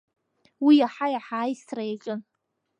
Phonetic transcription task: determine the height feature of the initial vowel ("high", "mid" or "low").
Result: high